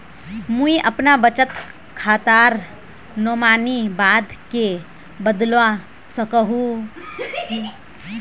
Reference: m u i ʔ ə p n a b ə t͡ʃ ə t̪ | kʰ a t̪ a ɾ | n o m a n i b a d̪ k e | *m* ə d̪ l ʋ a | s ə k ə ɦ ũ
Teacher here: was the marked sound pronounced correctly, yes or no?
no